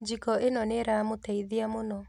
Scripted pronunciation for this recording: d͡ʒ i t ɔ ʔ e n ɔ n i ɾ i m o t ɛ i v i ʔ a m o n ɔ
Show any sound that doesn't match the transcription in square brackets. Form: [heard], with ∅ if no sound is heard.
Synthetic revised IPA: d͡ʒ i [k] ɔ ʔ e n ɔ n [e] ɾ [a] m o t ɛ i [ð] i [∅] a m o n ɔ

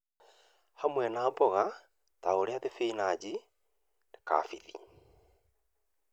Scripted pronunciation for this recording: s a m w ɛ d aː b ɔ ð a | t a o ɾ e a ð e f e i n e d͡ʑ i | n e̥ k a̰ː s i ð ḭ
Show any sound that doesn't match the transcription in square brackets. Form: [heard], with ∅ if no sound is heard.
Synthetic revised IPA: [h] a m w ɛ [n] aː b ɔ [ɣ] a | t a o ɾ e a ð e f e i n [a] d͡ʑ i | n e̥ k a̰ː [f] i ð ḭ

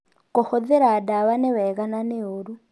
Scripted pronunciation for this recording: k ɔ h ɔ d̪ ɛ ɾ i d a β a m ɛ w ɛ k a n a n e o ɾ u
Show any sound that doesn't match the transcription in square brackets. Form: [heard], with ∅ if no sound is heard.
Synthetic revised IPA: k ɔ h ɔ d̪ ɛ ɾ [a] d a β a [n] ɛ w ɛ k a n a n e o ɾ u

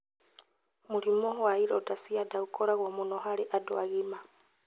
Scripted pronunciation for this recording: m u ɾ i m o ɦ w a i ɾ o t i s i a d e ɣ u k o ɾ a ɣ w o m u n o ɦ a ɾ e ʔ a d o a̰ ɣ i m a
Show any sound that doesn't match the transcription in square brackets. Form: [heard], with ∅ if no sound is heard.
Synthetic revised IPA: m u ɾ i m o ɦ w a i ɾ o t [a] s i a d [a] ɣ u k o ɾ a ɣ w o m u n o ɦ a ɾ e ʔ a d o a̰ ɣ i m a

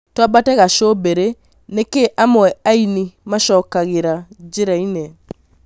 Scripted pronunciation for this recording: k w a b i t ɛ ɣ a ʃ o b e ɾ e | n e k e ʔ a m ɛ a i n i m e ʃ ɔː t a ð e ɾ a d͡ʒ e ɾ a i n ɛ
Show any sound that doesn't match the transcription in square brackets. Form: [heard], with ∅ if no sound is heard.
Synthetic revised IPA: [t] w a b [a] t ɛ ɣ a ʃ o b e ɾ e | n e k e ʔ a m ɛ a i n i m [a] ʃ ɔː [k] a [ɣ] e ɾ a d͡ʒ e ɾ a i n ɛ

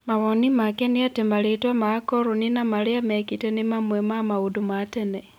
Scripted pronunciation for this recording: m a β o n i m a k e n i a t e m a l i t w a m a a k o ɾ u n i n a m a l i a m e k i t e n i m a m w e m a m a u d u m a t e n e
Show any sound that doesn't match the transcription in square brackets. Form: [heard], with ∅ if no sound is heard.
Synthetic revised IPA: m a β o n i m a k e n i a t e m a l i t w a m a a k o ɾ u n i n a m a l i a m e k i t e n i m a m w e m a m a u d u m a t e n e

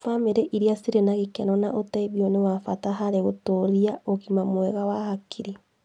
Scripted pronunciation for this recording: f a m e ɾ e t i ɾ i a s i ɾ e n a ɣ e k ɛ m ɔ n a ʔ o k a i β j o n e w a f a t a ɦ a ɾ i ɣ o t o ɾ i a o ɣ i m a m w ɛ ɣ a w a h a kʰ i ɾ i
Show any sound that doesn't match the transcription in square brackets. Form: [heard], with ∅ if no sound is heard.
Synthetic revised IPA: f a m e ɾ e [ʔ] i ɾ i a s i ɾ e n a ɣ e k ɛ [n] ɔ n a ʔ o [t] a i β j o n e w a f a t a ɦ a ɾ [e] ɣ o t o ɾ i a o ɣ i m a m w ɛ ɣ a w a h a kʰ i ɾ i

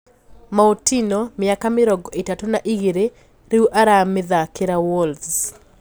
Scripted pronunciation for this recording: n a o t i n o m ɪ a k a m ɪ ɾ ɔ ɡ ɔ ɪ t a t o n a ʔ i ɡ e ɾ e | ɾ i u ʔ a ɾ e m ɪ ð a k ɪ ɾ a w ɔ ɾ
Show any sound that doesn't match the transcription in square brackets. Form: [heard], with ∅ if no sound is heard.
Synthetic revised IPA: [m] a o t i n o m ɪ a k a m ɪ ɾ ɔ ɡ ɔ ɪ t a t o n a ʔ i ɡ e ɾ e | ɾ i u ʔ a ɾ [a] m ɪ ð a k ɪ ɾ a w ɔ [l]

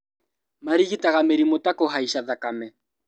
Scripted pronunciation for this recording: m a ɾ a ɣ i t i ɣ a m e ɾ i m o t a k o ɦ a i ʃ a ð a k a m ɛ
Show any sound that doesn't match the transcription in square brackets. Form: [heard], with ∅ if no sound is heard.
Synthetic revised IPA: m a ɾ [i] ɣ i t [a] ɣ a m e ɾ i m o t a k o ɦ a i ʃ a ð a k a m ɛ

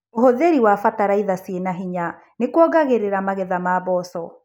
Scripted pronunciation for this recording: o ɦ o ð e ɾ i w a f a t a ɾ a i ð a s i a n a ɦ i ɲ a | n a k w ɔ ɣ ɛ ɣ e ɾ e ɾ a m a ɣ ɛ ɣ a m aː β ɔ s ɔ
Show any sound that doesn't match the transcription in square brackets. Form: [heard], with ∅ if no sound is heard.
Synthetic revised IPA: o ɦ o ð e ɾ i w a f a t a ɾ a i ð a s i [e] n a ɦ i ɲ a | n [e] k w ɔ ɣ [a] ɣ e ɾ e ɾ a m a ɣ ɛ [ð] a m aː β ɔ s ɔ

